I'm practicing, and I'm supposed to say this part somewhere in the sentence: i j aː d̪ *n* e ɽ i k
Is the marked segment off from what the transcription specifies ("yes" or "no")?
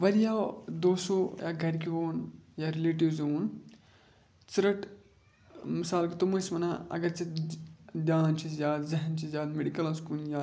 yes